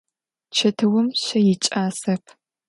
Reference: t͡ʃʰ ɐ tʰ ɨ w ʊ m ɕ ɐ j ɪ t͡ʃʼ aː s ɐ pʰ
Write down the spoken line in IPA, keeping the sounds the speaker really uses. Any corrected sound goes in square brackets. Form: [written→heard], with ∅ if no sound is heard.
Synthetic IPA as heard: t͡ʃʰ ɐ tʰ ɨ w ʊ m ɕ ɐ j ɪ t͡ʃʼ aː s ɐ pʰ